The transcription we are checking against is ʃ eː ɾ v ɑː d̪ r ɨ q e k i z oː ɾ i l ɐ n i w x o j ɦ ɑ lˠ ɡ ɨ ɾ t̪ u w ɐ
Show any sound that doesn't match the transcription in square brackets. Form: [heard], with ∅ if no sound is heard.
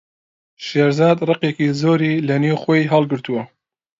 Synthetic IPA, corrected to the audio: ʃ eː ɾ [z] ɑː d̪ r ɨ q e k i z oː ɾ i l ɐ n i w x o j ɦ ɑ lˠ ɡ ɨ ɾ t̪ u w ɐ